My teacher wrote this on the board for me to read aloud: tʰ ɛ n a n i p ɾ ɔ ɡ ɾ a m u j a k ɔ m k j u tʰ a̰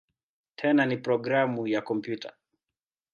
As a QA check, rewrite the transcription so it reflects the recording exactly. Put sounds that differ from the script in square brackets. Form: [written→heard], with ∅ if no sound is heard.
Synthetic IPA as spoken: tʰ ɛ n a n i p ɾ ɔ ɡ ɾ a m u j a k ɔ m [k→p] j u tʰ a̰